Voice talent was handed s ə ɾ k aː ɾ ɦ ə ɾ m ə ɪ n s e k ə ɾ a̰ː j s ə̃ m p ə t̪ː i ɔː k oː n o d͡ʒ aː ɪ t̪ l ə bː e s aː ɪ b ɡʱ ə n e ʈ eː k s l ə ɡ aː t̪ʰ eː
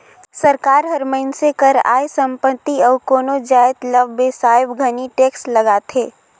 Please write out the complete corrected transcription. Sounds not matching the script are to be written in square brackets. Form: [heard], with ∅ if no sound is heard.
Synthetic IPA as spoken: s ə ɾ k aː ɾ ɦ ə ɾ m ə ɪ n s e k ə ɾ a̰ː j s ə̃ m p ə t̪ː i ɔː k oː n o d͡ʒ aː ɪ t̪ l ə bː e s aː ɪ b ɡʱ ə n [i] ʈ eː k s l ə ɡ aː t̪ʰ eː